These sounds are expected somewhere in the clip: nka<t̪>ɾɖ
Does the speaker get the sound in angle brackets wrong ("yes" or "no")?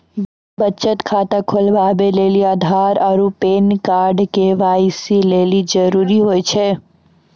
yes